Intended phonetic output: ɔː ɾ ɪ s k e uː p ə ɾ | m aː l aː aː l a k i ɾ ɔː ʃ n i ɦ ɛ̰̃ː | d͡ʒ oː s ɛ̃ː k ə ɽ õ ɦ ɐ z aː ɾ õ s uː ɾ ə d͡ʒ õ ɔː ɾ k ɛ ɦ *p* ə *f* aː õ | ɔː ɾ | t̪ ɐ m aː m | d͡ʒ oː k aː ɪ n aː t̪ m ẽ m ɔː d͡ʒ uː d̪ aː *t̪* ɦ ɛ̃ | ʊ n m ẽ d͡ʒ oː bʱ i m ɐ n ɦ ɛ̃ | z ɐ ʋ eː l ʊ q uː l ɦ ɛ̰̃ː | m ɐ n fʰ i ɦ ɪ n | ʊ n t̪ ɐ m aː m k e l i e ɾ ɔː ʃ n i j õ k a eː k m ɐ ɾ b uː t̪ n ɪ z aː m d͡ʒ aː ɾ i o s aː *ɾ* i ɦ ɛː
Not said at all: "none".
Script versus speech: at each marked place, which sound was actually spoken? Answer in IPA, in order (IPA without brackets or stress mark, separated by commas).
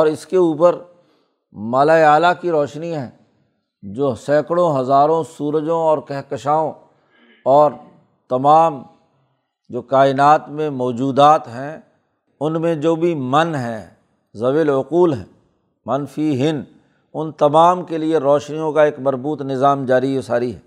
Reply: k, ʃ, t̪, ɾ